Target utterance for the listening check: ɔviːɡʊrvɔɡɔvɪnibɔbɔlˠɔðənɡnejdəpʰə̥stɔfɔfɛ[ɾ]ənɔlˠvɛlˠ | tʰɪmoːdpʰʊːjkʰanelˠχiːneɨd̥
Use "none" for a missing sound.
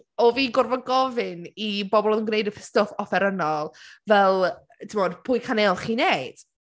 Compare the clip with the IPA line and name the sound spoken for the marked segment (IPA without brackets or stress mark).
ɾ